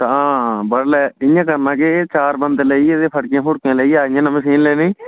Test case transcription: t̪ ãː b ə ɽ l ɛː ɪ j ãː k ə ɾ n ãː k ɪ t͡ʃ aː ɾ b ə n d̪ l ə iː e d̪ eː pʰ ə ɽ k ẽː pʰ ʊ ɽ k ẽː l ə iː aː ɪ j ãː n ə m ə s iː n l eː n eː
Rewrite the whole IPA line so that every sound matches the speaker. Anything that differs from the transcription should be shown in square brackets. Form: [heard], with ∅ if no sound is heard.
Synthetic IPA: t̪ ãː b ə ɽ l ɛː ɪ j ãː k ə ɾ n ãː k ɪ t͡ʃ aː ɾ b ə n d̪ l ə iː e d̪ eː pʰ ə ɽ k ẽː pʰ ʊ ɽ k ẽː l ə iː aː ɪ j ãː n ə m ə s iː n l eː n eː

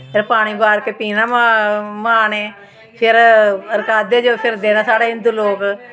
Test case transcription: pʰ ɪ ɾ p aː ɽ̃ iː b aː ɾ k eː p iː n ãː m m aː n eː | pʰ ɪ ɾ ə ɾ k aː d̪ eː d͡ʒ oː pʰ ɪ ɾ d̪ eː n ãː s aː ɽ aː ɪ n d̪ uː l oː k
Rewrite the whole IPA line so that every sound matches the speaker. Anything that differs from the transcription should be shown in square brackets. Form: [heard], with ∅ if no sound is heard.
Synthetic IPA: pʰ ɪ ɾ p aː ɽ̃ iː b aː ɾ k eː p iː n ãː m m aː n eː | pʰ ɪ ɾ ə ɾ k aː d̪ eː d͡ʒ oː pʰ ɪ ɾ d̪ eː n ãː s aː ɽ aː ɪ n d̪ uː l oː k

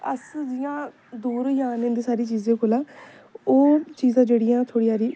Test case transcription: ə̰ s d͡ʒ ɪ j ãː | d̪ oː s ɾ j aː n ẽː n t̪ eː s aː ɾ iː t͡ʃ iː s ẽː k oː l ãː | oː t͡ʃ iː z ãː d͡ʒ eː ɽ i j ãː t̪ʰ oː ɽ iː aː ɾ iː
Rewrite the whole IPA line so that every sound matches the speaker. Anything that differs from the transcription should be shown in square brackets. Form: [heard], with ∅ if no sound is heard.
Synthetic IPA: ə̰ s d͡ʒ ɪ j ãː | d̪ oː [∅] ɾ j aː n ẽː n [d̪] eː s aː ɾ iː t͡ʃ iː [z] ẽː k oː l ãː | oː t͡ʃ iː z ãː d͡ʒ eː ɽ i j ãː t̪ʰ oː ɽ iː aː ɾ iː

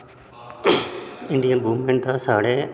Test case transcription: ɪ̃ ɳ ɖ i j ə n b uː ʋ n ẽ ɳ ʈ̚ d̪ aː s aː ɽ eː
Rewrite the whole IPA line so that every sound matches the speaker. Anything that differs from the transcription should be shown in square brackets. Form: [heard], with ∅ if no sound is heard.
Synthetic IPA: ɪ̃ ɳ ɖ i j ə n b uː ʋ [m] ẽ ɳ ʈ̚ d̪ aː s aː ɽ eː

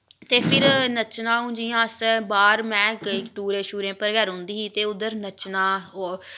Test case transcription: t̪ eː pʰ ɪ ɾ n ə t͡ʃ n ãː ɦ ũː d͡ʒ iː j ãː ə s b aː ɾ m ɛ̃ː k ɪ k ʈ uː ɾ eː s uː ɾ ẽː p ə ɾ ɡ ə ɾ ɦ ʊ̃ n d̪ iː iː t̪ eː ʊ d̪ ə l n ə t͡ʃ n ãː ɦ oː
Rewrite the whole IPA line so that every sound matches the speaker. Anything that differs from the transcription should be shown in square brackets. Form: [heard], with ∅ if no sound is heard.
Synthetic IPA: t̪ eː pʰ ɪ ɾ n ə t͡ʃ n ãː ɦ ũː d͡ʒ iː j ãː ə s b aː ɾ m ɛ̃ː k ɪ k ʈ uː ɾ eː [ʃ] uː ɾ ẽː p ə ɾ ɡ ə ɾ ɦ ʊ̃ n d̪ iː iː t̪ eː ʊ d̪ ə [ɾ] n ə t͡ʃ n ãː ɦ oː

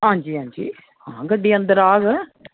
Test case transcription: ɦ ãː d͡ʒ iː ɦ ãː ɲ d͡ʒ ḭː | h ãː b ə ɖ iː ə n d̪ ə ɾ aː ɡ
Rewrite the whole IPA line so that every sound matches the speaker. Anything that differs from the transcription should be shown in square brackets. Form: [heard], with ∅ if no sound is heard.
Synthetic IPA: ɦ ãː d͡ʒ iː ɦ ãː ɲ d͡ʒ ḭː | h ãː [ɡ] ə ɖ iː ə n d̪ ə ɾ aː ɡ

